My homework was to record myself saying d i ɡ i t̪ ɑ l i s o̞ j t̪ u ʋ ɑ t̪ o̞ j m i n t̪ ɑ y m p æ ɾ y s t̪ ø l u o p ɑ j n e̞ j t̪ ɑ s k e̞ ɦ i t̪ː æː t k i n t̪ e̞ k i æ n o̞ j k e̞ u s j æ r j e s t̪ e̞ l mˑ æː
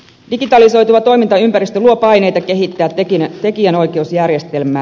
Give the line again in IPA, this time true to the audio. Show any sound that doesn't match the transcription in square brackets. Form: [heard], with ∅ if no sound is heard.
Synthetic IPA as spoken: d i ɡ i t̪ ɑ l i s o̞ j t̪ u ʋ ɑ t̪ o̞ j m i n t̪ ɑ y m p æ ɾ [i] s t̪ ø l u o p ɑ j n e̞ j t̪ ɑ [∅] k e̞ ɦ i t̪ː æː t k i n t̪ e̞ k i æ n o̞ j k e̞ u s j æ r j e s t̪ e̞ l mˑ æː